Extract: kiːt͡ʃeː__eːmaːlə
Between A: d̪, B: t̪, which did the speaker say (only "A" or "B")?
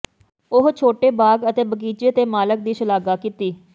B